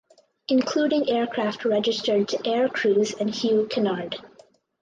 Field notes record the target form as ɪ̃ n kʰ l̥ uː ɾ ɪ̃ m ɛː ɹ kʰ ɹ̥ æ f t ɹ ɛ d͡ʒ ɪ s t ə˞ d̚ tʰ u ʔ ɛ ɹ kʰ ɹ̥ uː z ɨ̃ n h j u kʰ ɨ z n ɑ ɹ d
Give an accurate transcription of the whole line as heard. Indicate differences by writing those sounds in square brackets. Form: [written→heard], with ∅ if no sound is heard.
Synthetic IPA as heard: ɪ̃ n kʰ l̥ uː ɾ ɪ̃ [m→ŋ] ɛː ɹ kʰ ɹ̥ æ f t ɹ ɛ d͡ʒ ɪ s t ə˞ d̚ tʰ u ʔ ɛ ɹ kʰ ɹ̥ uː z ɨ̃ n h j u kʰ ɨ [z→∅] n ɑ ɹ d